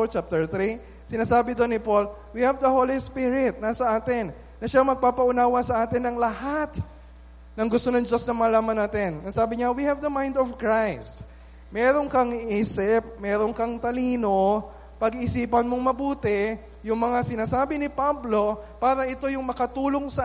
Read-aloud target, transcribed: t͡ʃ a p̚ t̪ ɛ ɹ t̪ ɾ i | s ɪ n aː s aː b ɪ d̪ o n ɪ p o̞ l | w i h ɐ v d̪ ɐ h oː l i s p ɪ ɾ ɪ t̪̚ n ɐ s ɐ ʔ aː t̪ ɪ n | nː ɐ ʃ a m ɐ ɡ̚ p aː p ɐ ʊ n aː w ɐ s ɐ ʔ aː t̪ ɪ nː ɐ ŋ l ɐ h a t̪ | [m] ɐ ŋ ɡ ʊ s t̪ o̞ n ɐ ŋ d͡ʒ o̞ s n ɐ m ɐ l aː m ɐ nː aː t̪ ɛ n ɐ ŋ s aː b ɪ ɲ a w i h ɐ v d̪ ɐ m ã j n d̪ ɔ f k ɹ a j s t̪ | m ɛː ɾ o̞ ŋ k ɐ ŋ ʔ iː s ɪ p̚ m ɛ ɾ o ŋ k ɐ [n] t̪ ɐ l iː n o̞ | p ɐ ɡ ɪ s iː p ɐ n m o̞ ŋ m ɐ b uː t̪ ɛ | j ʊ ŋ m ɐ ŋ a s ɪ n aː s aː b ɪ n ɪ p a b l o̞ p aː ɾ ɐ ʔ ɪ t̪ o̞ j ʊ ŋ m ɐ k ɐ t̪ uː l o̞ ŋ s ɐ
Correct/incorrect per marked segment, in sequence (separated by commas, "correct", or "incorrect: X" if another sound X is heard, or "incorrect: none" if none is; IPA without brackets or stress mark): incorrect: n, incorrect: ŋ